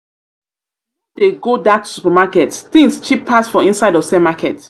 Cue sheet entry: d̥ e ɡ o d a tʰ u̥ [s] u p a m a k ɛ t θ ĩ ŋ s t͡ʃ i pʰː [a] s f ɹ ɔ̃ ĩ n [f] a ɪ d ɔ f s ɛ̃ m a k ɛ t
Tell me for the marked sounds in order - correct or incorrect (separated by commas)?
correct, correct, incorrect